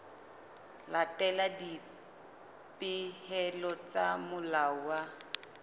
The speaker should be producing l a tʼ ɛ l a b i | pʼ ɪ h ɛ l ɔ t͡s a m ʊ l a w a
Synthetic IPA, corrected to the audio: l a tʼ ɛ l a d i | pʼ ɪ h ɛ l ɔ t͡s a m ʊ l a w a